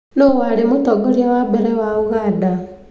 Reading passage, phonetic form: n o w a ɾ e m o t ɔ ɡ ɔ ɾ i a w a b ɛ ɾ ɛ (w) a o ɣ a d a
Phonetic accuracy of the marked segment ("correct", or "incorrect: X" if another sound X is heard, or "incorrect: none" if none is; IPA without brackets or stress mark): correct